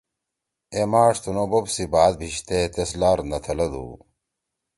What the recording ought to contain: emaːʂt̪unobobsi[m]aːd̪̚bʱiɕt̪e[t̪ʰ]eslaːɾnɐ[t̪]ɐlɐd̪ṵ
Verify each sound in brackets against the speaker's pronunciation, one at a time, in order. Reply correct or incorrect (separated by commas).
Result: incorrect, incorrect, incorrect